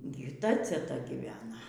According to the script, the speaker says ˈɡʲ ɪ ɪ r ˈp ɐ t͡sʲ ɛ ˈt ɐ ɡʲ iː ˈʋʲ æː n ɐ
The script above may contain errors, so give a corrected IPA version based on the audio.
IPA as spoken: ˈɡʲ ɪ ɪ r ˈt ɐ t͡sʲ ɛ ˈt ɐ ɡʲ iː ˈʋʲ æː n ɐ